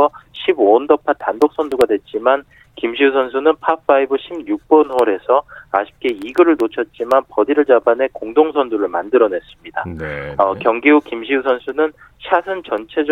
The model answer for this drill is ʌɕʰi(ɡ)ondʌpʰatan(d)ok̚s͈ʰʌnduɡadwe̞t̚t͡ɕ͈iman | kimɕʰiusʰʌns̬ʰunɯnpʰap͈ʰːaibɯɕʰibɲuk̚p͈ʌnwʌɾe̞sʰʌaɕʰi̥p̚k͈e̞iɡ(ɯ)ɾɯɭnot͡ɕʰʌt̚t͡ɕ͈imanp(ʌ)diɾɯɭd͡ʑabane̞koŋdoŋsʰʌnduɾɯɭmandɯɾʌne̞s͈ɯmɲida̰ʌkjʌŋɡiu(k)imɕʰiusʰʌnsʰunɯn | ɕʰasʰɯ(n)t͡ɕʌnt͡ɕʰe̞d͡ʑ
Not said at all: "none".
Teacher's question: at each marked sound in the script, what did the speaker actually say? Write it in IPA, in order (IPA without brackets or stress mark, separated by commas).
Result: b, d, ɯ, ʌ, k, n